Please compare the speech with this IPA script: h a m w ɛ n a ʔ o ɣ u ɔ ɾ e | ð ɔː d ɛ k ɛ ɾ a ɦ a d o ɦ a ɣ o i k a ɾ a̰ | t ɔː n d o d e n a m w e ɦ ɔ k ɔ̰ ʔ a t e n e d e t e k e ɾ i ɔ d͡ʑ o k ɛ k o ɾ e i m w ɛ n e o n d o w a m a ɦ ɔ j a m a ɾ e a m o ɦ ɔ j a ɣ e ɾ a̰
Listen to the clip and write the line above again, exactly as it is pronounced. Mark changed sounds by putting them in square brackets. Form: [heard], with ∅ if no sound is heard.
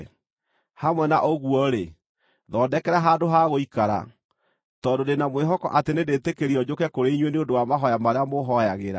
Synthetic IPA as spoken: h a m w ɛ n a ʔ o ɣ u ɔ ɾ e | ð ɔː d ɛ k ɛ ɾ a ɦ a d o ɦ a ɣ o i k a ɾ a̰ | t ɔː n d o d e n a m w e ɦ ɔ k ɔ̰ ʔ a t e n e d e t e k e ɾ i ɔ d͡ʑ o k ɛ k o ɾ e i [ɲ] w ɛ n e o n d o w a m a ɦ ɔ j a m a ɾ e a m o ɦ ɔ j a ɣ e ɾ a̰